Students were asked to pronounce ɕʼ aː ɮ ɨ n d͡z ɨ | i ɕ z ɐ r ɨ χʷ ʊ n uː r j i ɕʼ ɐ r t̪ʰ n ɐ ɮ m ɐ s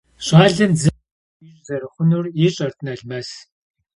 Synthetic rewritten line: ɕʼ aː ɮ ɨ n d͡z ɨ | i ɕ z ɐ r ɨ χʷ ʊ n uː r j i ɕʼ ɐ r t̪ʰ n ɐ ɮ m ɐ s